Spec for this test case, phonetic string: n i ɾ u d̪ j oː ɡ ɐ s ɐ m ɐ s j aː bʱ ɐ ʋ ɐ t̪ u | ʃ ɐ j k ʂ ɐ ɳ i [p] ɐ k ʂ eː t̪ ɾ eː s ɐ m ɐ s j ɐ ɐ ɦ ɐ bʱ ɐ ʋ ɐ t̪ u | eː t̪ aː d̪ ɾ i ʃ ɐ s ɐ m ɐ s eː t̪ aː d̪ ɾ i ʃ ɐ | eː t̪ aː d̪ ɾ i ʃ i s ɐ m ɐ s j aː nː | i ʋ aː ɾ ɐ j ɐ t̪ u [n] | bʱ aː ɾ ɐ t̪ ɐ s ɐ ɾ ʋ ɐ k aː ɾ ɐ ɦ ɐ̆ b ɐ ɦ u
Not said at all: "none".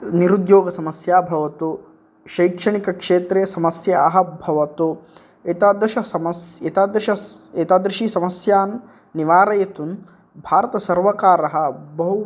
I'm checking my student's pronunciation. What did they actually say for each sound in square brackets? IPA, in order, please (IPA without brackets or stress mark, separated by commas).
k, n